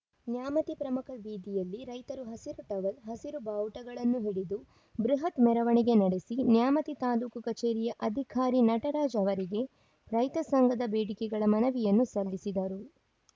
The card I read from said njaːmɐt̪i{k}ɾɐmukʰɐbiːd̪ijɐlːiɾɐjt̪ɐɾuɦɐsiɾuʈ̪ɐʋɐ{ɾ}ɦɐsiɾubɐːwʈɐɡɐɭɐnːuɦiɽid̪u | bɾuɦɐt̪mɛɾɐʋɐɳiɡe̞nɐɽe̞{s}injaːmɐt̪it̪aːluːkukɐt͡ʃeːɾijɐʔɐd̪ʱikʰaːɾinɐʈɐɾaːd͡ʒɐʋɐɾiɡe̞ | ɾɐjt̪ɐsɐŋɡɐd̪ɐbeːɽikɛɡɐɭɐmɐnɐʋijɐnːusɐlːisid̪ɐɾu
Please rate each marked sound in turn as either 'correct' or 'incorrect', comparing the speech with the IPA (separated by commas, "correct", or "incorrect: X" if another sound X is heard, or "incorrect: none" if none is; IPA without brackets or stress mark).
incorrect: p, incorrect: l, correct